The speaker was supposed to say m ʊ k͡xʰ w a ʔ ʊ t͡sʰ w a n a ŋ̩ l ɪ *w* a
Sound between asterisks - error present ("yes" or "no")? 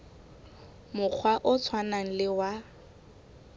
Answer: no